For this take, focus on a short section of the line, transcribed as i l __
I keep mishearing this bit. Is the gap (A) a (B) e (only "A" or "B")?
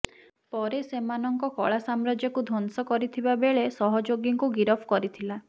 A